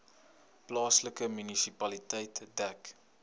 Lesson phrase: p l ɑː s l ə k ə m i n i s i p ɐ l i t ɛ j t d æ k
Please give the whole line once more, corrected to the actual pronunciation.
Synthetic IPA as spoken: p l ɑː s l ə k ə m y n i s i p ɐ l i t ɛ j t d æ k